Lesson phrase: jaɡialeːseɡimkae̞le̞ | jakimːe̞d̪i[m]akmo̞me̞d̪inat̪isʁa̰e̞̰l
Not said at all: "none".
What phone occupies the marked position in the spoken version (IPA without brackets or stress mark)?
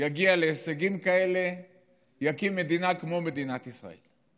n